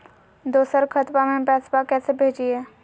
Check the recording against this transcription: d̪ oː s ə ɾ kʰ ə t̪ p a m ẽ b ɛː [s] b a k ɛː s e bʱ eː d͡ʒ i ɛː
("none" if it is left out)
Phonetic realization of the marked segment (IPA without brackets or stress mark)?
s